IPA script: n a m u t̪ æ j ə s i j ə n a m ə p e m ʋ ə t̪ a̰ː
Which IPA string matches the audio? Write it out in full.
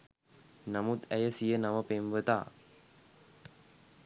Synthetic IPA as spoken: n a m u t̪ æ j ə s i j ə n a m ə p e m ʋ ə t̪ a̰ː

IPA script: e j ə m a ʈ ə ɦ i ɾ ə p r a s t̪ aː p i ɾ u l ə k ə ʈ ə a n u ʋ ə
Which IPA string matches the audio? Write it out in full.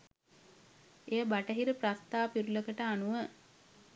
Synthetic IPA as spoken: e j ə b a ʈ ə ɦ i ɾ ə p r a s t̪ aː p i ɾ u l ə k ə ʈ ə a n u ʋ ə

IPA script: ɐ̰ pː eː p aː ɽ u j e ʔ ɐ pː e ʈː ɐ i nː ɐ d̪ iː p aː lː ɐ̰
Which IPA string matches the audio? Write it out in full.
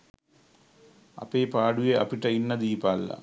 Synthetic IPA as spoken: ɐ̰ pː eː p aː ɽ u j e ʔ ɐ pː i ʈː ɐ i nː ɐ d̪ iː p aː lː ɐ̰

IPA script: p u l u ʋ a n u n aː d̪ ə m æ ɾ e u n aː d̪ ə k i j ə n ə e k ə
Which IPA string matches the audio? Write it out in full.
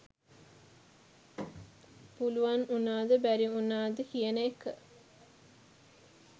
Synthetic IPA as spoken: p u l u ʋ a n u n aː d̪ ə b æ ɾ i u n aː d̪ ə k i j ə n ə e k ə

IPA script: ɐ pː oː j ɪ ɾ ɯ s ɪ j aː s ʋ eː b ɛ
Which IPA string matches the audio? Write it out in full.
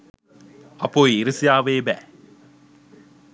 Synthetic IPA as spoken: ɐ pː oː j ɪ ɾ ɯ s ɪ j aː ʋ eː b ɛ

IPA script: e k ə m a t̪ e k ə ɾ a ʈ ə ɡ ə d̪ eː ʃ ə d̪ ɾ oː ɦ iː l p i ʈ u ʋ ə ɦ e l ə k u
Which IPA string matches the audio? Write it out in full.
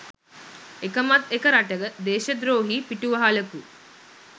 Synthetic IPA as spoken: e k ə m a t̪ e k ə ɾ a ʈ ə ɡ ə d̪ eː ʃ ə d̪ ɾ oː ɦ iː p i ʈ u ʋ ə ɦ a l ə k u

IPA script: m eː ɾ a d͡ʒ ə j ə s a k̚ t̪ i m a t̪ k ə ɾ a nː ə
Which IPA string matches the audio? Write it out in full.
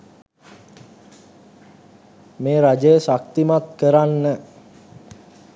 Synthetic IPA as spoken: m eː ɾ a d͡ʒ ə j ə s a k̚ t̪ i m a t̪ k ə ɾ a nː ə

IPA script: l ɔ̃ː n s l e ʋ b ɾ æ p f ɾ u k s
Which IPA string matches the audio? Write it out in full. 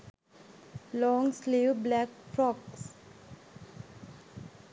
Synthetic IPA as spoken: l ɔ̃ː ŋ s l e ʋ b l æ k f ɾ ɔ k s

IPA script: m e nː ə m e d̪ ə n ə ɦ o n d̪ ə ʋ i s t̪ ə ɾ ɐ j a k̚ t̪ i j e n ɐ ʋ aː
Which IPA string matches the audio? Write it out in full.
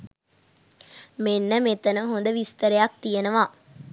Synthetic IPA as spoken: m e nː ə m e t̪ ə n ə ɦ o n d̪ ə ʋ i s t̪ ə ɾ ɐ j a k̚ t̪ i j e n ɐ ʋ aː

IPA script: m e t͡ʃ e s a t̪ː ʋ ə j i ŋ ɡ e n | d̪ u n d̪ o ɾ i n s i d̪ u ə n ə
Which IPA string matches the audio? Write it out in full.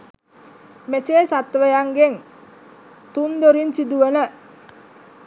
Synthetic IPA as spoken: m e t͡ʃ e s a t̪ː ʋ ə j a ŋ ɡ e ŋ | t̪ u n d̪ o ɾ i n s i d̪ u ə n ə

